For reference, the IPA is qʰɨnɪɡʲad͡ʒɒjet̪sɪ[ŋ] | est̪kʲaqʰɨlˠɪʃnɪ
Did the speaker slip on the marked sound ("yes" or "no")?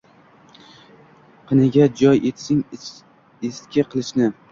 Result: no